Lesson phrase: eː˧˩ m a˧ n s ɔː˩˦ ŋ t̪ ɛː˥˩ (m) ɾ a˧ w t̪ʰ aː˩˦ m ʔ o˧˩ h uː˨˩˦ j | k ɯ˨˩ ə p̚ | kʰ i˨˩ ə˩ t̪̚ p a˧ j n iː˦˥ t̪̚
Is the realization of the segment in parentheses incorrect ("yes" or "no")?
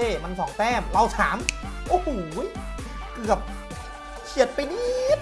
no